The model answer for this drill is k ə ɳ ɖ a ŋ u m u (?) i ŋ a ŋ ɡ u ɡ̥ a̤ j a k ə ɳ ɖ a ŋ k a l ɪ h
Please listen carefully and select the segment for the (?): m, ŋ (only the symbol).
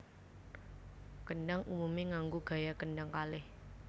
m